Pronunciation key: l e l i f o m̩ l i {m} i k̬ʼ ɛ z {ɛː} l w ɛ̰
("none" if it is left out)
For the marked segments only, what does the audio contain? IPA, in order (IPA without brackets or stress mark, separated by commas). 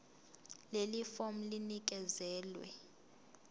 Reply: n, ɛː